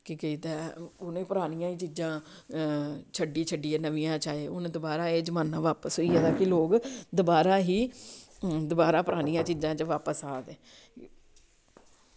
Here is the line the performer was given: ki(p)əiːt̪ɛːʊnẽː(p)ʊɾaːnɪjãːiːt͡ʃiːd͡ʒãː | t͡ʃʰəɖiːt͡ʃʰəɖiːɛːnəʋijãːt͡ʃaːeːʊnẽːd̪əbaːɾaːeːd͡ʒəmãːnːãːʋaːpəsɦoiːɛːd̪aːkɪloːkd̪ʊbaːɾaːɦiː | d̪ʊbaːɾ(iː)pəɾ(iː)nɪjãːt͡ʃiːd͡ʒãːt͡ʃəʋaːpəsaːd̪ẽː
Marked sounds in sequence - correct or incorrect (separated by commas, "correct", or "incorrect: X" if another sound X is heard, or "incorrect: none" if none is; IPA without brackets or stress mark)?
incorrect: k, correct, incorrect: aː, incorrect: aː